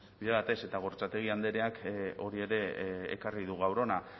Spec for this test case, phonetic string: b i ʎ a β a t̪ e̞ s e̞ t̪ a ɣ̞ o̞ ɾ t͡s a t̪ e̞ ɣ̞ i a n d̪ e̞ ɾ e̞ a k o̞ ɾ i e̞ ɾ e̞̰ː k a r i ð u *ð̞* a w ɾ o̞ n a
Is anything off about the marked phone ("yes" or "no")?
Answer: yes